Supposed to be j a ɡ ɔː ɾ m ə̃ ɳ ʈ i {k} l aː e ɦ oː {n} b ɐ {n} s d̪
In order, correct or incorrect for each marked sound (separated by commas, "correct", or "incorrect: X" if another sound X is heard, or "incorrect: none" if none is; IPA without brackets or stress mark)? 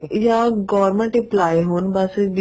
incorrect: p, correct, incorrect: none